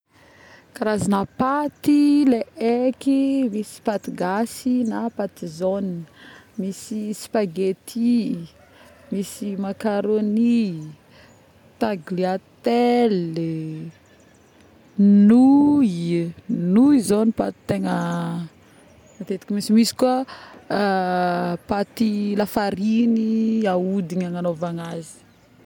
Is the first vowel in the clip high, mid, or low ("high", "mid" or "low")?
low